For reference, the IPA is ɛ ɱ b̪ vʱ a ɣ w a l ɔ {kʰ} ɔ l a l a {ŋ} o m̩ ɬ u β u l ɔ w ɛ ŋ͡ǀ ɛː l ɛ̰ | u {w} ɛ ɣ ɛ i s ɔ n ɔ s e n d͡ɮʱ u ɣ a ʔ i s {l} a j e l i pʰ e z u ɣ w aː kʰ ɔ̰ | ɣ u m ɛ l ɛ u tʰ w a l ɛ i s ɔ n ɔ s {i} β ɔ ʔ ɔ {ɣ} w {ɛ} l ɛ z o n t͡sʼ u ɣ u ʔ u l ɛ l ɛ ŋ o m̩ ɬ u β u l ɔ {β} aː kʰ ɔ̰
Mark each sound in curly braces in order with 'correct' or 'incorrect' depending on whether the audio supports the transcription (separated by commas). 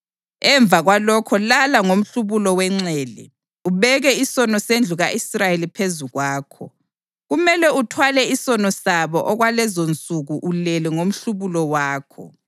correct, correct, incorrect, incorrect, incorrect, correct, incorrect, incorrect